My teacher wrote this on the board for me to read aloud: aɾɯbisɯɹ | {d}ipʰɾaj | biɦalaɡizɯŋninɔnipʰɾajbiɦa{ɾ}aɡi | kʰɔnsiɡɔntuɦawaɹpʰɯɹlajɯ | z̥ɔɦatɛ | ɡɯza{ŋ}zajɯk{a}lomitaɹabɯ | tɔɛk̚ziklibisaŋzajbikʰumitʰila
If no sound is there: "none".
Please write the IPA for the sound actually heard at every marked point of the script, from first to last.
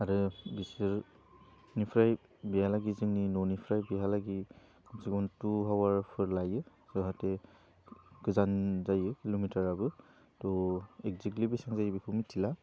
n, l, n, i

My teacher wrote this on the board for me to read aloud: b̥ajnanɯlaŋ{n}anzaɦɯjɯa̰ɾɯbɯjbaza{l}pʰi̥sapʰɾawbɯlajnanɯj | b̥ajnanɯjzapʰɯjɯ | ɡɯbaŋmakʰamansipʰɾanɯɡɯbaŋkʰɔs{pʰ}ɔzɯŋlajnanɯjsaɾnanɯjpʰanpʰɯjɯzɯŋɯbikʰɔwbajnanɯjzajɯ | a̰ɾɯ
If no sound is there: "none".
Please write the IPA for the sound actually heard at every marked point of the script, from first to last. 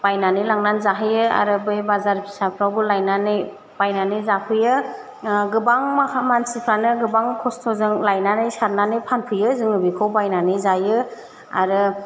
n, ɾ, tʰ

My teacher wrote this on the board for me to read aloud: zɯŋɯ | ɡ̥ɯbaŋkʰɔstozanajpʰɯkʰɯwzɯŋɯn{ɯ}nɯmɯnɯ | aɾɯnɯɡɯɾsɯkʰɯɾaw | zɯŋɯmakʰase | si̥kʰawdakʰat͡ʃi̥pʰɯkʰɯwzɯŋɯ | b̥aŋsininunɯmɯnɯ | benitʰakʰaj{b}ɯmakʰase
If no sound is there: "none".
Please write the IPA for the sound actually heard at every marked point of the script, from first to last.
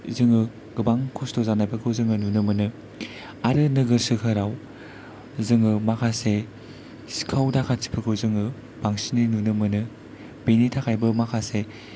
u, b

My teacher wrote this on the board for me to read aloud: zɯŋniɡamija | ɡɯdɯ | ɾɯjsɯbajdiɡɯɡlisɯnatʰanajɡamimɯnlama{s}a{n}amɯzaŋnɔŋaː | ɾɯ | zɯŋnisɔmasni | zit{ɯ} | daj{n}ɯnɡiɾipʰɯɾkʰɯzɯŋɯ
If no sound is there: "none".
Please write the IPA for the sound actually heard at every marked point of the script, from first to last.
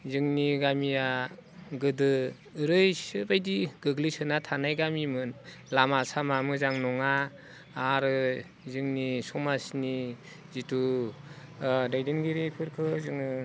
s, m, u, d

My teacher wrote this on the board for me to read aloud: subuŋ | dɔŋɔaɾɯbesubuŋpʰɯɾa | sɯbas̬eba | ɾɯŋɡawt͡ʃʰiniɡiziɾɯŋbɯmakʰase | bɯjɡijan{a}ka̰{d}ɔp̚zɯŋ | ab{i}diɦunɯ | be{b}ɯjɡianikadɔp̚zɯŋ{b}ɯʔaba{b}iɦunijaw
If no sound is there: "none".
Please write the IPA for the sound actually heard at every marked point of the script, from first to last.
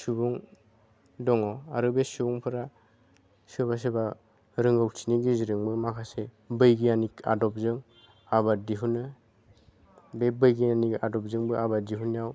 i, d, a, b, b, d

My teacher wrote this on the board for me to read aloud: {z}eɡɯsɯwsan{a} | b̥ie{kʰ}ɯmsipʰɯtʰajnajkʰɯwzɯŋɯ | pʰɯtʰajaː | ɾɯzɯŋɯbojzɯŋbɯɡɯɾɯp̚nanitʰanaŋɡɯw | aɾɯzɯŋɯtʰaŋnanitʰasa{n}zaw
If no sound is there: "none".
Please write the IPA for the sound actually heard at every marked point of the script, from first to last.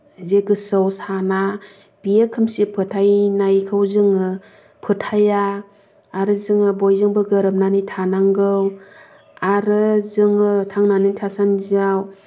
z, a, kʰ, n

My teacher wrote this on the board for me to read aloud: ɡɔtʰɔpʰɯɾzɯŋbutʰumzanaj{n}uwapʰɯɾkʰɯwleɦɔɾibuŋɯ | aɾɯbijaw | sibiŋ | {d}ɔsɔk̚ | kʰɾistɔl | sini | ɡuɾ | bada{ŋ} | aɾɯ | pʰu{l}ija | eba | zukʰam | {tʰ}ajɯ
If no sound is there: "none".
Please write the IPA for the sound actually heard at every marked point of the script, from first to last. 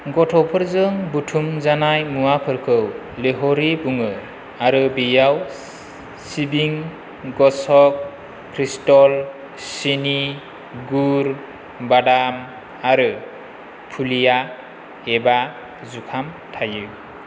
m, ɡ, m, l, tʰ

